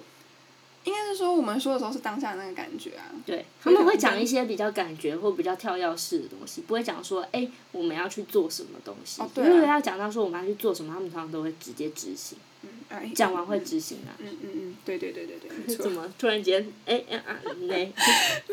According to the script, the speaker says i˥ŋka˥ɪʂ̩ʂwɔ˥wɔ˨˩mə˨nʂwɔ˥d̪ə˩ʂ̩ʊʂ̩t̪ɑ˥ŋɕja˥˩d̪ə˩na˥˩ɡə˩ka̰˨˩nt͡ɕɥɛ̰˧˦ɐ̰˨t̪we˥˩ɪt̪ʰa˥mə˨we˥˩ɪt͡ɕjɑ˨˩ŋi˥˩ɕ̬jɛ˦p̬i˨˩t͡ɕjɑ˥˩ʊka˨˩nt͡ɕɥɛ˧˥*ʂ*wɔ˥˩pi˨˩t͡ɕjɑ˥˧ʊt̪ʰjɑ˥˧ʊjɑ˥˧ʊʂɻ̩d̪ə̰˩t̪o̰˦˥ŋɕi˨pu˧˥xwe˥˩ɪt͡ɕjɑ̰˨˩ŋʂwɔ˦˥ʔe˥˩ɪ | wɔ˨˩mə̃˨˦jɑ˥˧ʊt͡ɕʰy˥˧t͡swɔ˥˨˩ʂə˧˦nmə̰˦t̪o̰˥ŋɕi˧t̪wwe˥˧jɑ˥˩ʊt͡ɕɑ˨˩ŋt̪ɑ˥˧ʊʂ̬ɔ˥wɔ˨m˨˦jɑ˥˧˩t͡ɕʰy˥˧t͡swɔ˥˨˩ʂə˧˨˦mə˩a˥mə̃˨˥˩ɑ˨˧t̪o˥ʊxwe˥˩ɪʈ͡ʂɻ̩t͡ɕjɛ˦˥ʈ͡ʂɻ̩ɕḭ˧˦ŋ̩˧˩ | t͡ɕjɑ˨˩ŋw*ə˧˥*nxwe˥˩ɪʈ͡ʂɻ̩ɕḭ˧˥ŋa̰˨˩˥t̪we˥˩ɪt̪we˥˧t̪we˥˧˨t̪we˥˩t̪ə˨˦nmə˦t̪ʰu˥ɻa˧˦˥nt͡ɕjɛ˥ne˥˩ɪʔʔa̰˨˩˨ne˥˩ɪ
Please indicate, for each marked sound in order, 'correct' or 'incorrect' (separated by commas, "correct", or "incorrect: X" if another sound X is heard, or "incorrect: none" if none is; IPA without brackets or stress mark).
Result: incorrect: x, incorrect: a˧˥